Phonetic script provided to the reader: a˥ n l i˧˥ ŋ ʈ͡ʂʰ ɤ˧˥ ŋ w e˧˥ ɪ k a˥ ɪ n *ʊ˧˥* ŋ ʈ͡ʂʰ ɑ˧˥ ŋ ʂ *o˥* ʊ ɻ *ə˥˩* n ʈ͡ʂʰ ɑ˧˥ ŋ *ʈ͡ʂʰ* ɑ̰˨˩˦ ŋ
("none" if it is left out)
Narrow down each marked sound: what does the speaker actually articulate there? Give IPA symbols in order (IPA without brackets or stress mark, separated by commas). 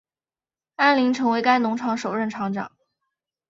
ʊ˧˥, o˨˩, ə˥˩, ʈ͡ʂ